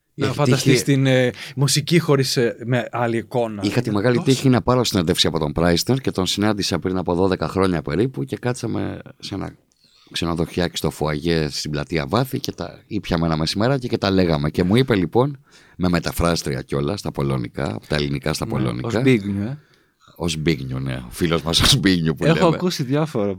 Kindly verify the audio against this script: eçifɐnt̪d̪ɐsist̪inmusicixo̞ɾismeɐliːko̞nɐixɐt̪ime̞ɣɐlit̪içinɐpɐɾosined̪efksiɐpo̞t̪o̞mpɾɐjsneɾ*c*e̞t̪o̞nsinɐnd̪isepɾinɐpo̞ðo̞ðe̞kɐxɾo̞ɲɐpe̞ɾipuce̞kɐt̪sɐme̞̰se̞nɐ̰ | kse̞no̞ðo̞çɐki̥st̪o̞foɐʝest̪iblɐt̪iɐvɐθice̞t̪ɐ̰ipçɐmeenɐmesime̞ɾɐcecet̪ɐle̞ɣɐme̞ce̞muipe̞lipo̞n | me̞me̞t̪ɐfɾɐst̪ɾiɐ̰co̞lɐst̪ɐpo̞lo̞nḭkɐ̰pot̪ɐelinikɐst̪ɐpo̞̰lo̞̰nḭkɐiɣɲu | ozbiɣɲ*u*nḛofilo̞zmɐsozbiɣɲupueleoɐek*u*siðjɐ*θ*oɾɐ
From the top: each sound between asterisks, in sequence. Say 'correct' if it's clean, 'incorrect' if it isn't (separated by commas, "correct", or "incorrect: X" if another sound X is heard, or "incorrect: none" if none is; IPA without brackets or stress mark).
correct, correct, correct, incorrect: f